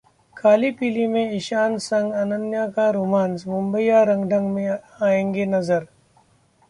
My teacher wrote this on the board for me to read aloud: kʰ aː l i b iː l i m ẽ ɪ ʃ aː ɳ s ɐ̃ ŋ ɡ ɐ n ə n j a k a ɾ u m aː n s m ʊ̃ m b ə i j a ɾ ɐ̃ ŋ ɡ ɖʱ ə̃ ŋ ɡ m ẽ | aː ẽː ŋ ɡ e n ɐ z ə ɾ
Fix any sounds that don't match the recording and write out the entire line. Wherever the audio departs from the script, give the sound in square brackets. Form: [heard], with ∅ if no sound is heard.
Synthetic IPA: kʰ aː l i [p] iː l i m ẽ ɪ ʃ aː [n] s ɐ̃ ŋ ɡ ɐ n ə n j a k a ɾ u m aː n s m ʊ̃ m b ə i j a ɾ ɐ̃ ŋ ɡ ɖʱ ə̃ ŋ ɡ m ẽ | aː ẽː ŋ ɡ e n ɐ z ə ɾ